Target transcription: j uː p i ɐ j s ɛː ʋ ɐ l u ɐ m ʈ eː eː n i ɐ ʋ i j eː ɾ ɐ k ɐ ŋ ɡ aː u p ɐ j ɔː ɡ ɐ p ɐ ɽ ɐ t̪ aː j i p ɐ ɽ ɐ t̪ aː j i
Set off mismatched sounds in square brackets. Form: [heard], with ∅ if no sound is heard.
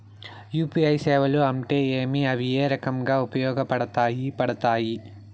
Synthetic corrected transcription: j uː p i ɐ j s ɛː ʋ ɐ l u ɐ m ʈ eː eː [m] i ɐ ʋ i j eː ɾ ɐ k ɐ [m] ɡ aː u p ɐ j ɔː ɡ ɐ p ɐ ɽ ɐ t̪ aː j i p ɐ ɽ ɐ t̪ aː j i